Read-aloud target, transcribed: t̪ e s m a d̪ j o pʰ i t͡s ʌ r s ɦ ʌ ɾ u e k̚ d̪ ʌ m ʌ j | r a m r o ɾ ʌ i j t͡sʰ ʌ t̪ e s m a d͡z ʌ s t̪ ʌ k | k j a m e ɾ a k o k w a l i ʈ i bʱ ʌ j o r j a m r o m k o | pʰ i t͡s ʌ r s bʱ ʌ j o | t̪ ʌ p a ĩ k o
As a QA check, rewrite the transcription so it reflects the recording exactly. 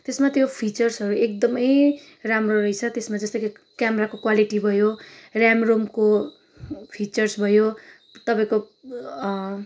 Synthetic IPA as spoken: t̪ e s m a t̪ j o pʰ i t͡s ʌ r s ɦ ʌ ɾ u e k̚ d̪ ʌ m ʌ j | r a m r o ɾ ʌ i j t͡sʰ ʌ t̪ e s m a d͡z ʌ s t̪ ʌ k | k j a m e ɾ a k o k w a l i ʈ i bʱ ʌ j o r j a m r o m k o | pʰ i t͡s ʌ r s bʱ ʌ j o | t̪ ʌ p a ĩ k o